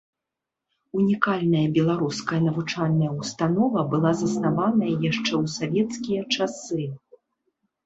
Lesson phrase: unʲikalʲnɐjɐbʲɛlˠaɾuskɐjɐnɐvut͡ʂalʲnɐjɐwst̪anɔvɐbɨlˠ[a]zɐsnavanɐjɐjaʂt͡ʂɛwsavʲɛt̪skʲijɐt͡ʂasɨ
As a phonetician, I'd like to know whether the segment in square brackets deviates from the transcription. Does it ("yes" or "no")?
no